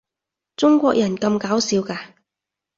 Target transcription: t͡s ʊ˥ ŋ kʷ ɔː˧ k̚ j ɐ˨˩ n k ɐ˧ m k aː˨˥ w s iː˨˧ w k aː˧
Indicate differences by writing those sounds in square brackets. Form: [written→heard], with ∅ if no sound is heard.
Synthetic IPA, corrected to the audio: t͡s ʊ˥ ŋ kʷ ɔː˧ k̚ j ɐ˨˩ n k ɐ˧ m k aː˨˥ w s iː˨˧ w k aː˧